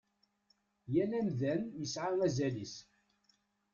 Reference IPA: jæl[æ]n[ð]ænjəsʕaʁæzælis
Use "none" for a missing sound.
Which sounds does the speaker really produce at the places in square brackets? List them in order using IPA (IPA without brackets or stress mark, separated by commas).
æ, ð